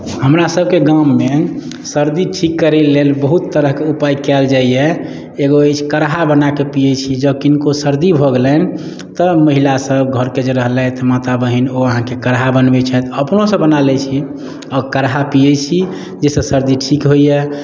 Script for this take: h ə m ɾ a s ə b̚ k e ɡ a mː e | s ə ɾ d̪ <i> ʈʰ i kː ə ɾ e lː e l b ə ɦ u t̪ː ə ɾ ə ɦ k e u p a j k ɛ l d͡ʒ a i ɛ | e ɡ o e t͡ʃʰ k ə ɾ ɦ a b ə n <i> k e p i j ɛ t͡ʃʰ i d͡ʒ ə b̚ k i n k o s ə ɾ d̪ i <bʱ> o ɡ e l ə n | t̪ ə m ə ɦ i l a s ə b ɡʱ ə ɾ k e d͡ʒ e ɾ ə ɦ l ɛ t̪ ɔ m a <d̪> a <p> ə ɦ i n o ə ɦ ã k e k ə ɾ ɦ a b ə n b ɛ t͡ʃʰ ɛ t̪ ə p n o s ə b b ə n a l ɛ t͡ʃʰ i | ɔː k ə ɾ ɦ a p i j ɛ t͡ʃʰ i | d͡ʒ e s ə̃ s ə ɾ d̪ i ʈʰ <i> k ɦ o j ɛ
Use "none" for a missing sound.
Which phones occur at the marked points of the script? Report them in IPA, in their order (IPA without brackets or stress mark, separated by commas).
i, a, bʱ, t̪, b, i